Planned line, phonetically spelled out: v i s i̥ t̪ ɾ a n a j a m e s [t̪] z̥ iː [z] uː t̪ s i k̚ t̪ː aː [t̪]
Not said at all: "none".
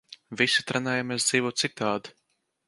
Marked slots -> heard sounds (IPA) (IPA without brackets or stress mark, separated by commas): d̪, v, d̪